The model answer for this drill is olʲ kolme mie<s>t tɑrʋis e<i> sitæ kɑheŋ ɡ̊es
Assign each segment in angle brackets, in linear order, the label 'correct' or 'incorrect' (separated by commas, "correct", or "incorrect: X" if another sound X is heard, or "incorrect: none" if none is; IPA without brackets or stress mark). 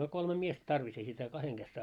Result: correct, correct